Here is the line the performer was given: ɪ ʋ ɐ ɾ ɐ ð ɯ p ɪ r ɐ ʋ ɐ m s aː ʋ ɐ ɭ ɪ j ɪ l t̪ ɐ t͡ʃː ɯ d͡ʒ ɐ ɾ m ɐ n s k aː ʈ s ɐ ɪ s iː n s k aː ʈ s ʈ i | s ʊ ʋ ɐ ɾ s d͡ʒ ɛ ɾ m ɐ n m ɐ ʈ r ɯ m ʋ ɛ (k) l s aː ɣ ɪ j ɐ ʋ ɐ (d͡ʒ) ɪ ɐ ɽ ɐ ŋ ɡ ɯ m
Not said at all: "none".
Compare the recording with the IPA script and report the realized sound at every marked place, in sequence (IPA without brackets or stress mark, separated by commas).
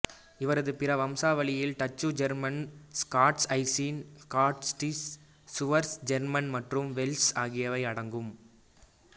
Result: none, none